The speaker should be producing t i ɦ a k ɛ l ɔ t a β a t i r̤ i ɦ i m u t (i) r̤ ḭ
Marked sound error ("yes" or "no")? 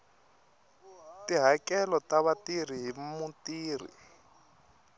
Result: yes